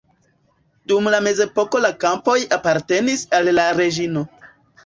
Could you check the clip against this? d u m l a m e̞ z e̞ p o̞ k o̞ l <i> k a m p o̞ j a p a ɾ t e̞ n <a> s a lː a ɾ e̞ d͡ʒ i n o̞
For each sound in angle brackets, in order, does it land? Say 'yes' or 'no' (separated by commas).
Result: no, no